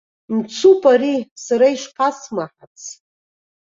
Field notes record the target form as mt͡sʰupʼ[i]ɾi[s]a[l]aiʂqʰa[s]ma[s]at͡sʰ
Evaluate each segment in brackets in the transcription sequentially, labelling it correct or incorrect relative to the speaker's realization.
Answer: incorrect: a, correct, incorrect: ɾ, correct, incorrect: ħ

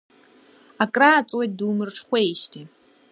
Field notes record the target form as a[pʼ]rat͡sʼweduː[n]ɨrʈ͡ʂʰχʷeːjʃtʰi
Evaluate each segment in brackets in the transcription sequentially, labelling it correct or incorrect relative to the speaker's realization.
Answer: incorrect: kʼ, incorrect: m

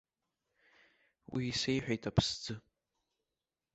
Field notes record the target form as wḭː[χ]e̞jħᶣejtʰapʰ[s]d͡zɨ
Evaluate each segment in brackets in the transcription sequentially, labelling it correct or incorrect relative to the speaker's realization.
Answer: incorrect: s, correct

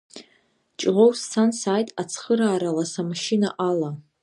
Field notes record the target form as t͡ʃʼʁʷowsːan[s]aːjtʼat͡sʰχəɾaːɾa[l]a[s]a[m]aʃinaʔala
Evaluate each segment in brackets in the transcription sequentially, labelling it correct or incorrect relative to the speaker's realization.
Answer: correct, correct, correct, correct

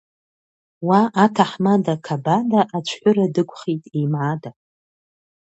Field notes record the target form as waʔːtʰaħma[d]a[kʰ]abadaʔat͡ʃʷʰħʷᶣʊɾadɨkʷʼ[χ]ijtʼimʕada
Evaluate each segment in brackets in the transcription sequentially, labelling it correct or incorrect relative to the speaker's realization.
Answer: correct, correct, correct

